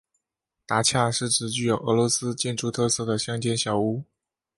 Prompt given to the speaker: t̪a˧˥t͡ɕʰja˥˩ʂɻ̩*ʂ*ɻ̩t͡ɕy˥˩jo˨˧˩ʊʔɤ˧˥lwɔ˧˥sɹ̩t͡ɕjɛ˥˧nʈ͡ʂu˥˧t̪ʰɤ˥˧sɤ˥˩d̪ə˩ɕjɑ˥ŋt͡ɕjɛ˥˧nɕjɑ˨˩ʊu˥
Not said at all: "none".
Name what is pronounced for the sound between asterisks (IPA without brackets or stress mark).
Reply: ʈ͡ʂ